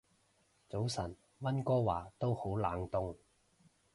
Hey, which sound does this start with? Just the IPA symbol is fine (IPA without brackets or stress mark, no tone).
t͡s